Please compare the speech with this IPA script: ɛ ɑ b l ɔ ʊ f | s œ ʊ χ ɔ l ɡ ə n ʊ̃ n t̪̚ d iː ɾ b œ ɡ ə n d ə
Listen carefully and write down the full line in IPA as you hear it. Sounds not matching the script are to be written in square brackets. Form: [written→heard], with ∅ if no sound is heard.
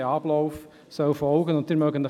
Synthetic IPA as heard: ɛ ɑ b l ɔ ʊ f | s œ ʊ [χ→f] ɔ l ɡ ə n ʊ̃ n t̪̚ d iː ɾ [b→m] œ ɡ ə n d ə